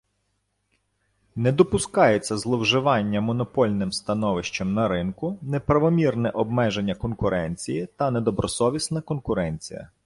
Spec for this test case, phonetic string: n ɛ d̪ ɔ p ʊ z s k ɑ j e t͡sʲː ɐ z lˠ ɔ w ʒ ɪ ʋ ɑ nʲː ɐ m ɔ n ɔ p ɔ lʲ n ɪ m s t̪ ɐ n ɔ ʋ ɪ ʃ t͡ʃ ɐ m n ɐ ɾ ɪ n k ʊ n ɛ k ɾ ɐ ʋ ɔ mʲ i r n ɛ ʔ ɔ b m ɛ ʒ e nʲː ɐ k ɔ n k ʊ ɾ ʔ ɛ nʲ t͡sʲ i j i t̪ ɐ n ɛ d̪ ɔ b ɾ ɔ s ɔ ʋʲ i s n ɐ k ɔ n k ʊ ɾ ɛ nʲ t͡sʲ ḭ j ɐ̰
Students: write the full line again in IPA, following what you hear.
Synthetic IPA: n ɛ d̪ ɔ p ʊ s k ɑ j e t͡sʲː ɐ z lˠ ɔ w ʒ ɪ ʋ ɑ nʲː ɐ m ɔ n ɔ p ɔ lʲ n ɪ m s t̪ ɐ n ɔ ʋ ɪ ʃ t͡ʃ ɐ m n ɐ ɾ ɪ n k ʊ n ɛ p ɾ ɐ ʋ ɔ mʲ i r n ɛ ʔ ɔ b m ɛ ʒ e nʲː ɐ k ɔ n k ʊ ɾ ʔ ɛ nʲ t͡sʲ i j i t̪ ɐ n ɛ d̪ ɔ b ɾ ɔ s ɔ ʋʲ i s n ɐ k ɔ n k ʊ ɾ ɛ nʲ t͡sʲ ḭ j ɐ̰